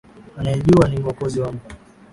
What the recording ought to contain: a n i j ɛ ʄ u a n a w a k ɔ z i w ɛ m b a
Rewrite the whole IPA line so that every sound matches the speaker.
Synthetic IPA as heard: a n a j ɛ ʄ u a n i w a k ɔ z i w a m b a